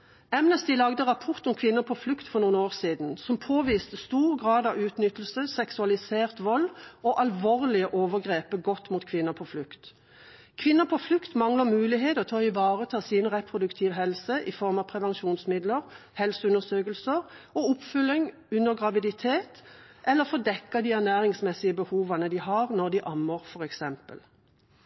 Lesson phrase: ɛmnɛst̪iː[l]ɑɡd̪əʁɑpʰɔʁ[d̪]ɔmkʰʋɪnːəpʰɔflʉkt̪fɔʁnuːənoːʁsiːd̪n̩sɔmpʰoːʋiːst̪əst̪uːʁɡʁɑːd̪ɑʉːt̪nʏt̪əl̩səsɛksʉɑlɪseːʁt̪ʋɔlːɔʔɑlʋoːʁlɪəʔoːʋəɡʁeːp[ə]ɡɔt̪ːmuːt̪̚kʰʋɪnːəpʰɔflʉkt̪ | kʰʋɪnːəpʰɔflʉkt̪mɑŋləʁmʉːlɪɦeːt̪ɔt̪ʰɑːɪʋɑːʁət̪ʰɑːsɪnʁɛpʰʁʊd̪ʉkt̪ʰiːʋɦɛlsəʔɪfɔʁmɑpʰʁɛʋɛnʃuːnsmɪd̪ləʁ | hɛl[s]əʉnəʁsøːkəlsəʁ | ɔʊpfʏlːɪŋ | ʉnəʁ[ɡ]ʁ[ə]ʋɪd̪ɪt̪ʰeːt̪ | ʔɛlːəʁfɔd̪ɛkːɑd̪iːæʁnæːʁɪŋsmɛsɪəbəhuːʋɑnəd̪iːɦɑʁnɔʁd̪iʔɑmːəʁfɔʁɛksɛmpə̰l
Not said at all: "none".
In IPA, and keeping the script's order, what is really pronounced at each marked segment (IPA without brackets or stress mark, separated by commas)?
l, t̪, ə, s, ɡ, ɑ